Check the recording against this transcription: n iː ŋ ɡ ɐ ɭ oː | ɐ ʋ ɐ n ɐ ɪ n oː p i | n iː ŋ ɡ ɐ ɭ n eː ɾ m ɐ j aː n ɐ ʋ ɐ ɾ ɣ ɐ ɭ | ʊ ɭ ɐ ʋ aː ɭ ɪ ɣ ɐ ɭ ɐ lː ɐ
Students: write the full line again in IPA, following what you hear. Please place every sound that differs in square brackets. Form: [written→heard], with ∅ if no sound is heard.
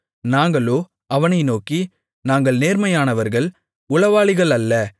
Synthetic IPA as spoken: n [iː→aː] ŋ ɡ ɐ ɭ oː | ɐ ʋ ɐ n ɐ ɪ n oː [p→k] i | n [iː→aː] ŋ ɡ ɐ ɭ n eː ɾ m ɐ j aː n ɐ ʋ ɐ ɾ ɣ ɐ ɭ | ʊ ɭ ɐ ʋ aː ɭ ɪ ɣ ɐ ɭ ɐ lː ɐ